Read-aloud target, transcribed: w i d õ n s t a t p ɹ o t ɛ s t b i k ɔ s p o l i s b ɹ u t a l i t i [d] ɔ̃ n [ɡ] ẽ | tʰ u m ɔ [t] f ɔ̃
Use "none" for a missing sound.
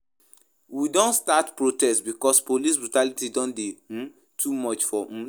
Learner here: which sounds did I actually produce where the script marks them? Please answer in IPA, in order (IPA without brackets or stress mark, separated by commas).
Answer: d, d, t͡ʃ